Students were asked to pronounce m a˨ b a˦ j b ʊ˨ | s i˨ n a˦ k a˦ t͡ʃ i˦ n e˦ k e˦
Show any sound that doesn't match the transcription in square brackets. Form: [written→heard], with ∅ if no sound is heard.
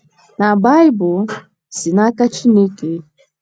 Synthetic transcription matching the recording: [m→n] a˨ b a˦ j b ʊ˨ | s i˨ n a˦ k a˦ t͡ʃ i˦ n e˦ k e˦